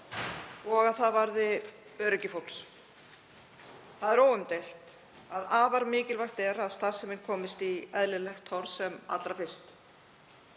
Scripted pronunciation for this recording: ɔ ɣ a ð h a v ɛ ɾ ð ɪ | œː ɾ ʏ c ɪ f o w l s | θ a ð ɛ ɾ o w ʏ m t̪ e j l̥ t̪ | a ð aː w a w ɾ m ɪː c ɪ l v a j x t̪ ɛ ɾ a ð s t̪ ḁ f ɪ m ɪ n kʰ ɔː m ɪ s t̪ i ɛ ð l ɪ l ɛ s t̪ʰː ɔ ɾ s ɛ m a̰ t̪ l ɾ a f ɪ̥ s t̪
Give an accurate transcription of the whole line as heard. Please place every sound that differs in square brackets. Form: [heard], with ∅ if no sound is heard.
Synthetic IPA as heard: ɔ ɣ a ð [θ] a v [a] ɾ ð ɪ | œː ɾ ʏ c ɪ f o w l s | θ a ð ɛ ɾ o w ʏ m t̪ e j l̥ t̪ | a ð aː [v] a [∅] ɾ m ɪː c ɪ l v a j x t̪ ɛ ɾ a ð s t̪ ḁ [s] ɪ m ɪ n kʰ ɔː m ɪ s t̪ i ɛ ð l ɪ l ɛ [x] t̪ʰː ɔ ɾ s ɛ m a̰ t̪ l ɾ a f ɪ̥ s t̪

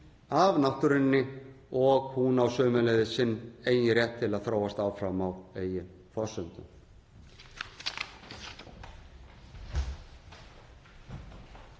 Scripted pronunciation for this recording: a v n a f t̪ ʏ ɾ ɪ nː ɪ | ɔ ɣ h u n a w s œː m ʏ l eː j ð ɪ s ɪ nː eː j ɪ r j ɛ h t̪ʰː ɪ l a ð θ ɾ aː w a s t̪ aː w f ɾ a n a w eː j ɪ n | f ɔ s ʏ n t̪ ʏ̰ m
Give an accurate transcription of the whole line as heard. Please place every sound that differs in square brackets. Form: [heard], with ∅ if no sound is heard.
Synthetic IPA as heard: a v n a [h] t̪ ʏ ɾ ɪ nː ɪ | ɔ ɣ h u n a w s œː m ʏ l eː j ð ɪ s ɪ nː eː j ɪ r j ɛ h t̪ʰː ɪ l a ð θ ɾ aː w a s t̪ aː w f ɾ a [m] a w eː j ɪ n | f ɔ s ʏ n t̪ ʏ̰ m

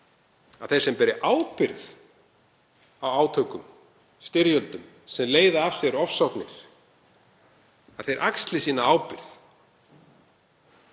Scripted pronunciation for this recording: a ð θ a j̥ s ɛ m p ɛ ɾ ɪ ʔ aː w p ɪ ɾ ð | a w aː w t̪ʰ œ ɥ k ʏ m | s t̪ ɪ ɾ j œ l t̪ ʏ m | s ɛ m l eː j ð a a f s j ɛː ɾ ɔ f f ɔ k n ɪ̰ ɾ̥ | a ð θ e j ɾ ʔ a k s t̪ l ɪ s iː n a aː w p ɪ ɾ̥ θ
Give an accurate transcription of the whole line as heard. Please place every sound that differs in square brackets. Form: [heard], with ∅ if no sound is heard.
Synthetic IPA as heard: a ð θ [e] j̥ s ɛ m p ɛ ɾ ɪ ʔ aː w p ɪ ɾ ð | a w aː w t̪ʰ œ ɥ k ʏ m | s t̪ ɪ ɾ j œ l t̪ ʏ m | s ɛ m l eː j ð a a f s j [ɛ] ɾ ɔ f [s] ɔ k n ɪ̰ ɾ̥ | a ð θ e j ɾ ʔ a k s t̪ l ɪ s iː n a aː w p ɪ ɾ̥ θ

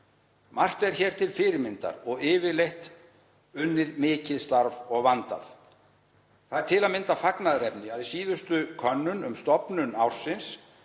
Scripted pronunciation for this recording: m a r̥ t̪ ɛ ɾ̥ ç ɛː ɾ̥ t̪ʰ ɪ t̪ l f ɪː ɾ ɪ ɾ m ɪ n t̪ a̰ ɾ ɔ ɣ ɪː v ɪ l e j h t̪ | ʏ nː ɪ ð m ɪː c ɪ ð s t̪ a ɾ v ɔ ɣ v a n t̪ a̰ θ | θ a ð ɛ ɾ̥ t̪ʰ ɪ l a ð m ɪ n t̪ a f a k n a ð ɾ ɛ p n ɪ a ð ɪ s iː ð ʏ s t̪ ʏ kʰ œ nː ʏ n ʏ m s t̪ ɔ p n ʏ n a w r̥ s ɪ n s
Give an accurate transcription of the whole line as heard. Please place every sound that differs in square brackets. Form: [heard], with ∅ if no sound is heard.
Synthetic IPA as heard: m a r̥ t̪ ɛ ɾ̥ ç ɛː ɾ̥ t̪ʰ ɪ [∅] l f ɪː ɾ ɪ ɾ m ɪ n t̪ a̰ ɾ ɔ ɣ ɪː v ɪ l e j h t̪ | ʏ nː ɪ ð m ɪː c ɪ ð s t̪ a ɾ v ɔ ɣ v a n t̪ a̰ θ | θ a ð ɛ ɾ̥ t̪ʰ ɪ l a ð m ɪ n t̪ a f a k n a ð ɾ ɛ p n ɪ a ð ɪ s iː ð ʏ s t̪ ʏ kʰ œ nː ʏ n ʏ m s t̪ ɔ p n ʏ n a w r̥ s ɪ n s

